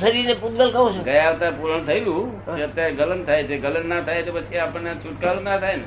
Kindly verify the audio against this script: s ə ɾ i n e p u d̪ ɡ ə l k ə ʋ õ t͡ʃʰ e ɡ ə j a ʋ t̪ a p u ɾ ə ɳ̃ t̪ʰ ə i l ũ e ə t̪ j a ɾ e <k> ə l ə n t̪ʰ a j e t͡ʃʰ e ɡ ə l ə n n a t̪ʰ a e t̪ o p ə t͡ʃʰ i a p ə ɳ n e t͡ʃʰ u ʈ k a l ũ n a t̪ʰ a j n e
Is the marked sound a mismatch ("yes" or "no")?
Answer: yes